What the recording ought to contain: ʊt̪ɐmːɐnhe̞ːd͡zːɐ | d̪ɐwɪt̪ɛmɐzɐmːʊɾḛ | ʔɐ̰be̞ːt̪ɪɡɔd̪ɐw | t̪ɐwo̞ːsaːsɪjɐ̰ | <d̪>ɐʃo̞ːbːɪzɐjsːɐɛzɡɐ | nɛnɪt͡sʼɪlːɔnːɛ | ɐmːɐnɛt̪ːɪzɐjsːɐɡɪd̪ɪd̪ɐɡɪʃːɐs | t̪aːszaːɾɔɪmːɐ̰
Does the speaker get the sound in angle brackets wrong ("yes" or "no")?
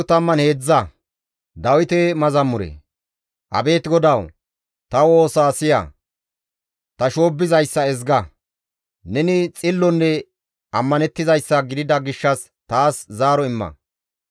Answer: yes